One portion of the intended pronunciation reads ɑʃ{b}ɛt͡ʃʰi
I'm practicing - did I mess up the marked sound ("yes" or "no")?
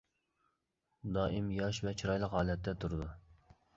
yes